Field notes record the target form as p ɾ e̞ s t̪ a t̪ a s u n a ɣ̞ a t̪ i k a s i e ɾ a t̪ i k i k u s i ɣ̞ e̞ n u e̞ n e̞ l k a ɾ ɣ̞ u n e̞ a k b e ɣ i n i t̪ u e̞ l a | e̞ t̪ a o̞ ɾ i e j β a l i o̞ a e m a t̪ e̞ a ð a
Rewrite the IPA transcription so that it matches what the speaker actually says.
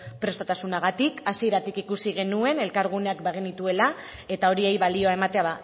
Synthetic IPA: p ɾ e̞ s t̪ a t̪ a s u n a ɣ̞ a t̪ i k a s i e ɾ a t̪ i k i k u s i ɣ̞ e̞ n u e̞ n e̞ l k a ɾ ɣ̞ u n e̞ a k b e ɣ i n i t̪ u e̞ l a | e̞ t̪ a o̞ ɾ i e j β a l i o̞ a e m a t̪ e̞ a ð a